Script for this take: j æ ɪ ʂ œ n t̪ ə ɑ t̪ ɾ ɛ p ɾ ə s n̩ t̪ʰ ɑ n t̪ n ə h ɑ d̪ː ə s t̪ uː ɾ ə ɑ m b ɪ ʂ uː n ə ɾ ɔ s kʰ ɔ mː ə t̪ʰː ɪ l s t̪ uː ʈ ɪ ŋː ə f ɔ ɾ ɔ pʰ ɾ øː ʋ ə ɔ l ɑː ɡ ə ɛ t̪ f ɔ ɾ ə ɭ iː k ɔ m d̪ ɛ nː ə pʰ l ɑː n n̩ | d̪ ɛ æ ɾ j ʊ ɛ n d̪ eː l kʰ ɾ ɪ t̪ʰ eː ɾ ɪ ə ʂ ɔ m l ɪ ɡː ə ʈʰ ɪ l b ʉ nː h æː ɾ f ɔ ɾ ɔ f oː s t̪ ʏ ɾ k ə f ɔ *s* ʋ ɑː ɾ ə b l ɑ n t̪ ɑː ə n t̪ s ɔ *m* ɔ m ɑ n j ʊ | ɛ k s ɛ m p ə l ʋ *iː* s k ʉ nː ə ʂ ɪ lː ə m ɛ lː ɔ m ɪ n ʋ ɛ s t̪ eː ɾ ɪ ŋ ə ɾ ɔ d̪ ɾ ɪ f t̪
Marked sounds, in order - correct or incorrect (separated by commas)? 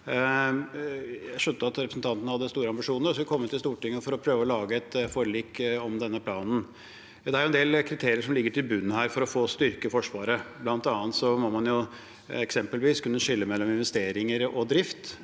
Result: incorrect, correct, correct